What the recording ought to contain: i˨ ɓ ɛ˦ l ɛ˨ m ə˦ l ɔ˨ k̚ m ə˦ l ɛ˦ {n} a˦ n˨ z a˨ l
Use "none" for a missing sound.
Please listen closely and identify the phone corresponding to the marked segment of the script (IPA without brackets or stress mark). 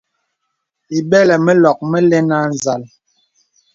n